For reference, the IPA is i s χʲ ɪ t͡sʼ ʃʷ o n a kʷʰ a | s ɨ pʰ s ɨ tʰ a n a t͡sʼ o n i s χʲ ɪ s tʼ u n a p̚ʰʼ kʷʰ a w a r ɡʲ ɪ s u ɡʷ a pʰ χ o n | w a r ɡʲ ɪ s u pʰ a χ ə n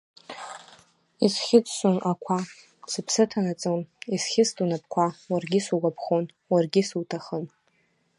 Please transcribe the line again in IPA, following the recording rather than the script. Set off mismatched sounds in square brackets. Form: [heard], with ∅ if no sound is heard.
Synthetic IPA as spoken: i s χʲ ɪ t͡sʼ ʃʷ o n a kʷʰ a | s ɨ pʰ s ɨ tʰ a n a t͡sʼ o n i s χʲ ɪ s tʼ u n a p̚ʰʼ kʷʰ a w a r ɡʲ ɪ s u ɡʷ a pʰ χ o n | w a r ɡʲ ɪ s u [tʰ] a χ ə n